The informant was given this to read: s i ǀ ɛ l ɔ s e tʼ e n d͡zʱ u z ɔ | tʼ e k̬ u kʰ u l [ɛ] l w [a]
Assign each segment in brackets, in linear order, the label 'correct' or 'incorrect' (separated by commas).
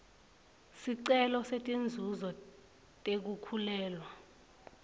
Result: incorrect, correct